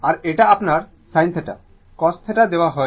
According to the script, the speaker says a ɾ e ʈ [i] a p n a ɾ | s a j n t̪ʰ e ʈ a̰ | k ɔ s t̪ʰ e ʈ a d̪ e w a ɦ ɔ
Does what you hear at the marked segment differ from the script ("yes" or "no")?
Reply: yes